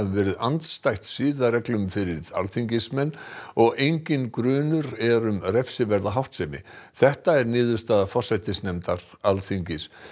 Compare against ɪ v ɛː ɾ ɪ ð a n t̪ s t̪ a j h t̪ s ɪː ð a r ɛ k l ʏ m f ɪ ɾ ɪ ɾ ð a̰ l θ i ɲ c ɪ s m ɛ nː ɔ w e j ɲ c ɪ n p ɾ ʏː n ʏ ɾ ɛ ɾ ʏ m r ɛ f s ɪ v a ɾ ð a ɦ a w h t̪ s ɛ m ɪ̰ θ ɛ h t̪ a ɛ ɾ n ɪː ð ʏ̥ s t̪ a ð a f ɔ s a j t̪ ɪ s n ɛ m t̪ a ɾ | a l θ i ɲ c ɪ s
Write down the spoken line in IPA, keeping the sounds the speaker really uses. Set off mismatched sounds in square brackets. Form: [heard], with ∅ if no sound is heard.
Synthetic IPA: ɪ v ɛː ɾ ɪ ð a n t̪ s t̪ a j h t̪ s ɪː ð a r ɛ k l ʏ m f ɪ ɾ ɪ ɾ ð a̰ l θ i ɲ c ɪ s m ɛ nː ɔ [ɣ] e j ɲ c ɪ n [k] ɾ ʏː n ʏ ɾ ɛ ɾ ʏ m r ɛ f s ɪ v [ɛ] ɾ ð a ɦ a w h t̪ s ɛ m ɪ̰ θ ɛ h t̪ a ɛ ɾ n ɪː ð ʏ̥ s t̪ a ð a f ɔ s a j t̪ ɪ s n ɛ m t̪ a ɾ | a l θ i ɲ c ɪ s